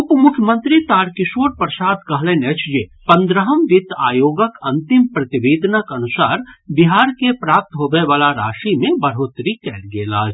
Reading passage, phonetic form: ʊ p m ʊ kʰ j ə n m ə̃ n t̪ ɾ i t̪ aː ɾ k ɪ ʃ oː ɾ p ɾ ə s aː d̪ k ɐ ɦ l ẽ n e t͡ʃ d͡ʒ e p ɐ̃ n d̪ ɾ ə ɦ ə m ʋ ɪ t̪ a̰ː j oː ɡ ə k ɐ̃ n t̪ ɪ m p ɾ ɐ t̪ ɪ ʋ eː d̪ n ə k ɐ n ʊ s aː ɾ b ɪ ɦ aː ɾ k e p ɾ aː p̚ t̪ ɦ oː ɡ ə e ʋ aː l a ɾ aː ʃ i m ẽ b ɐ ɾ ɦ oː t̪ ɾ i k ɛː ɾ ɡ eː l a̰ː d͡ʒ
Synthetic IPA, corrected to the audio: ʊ p m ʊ kʰ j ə m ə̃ n t̪ ɾ i t̪ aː ɾ k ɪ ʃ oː ɾ p ɾ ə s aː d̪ k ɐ ɦ l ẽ n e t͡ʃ d͡ʒ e p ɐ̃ n d̪ ɾ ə ɦ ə m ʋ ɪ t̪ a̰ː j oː ɡ ə k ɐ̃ n t̪ ɪ m p ɾ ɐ t̪ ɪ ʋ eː d̪ n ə k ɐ n ʊ s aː ɾ b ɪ ɦ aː ɾ k e p ɾ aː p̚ t̪ ɦ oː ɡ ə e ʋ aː l a ɾ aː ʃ i m ẽ b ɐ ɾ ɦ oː t̪ ɾ i k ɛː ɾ ɡ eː l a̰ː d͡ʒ